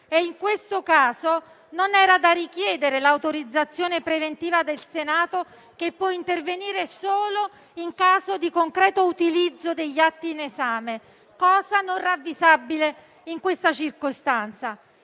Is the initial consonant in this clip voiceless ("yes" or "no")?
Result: no